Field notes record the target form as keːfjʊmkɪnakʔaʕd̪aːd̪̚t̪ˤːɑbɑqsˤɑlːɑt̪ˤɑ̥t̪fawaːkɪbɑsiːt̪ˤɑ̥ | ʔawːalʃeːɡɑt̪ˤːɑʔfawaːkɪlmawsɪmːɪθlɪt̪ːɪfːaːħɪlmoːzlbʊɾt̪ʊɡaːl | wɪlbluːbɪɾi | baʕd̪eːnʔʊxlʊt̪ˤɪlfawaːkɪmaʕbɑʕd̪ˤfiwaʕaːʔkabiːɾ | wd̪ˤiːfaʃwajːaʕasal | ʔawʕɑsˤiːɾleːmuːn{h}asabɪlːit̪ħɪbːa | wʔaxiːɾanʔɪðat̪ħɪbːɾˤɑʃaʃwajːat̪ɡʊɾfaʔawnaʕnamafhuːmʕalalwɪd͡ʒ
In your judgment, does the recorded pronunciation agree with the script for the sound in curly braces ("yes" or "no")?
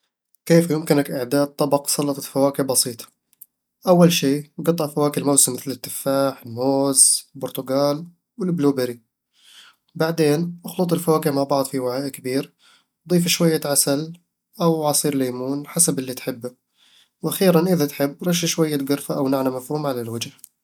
no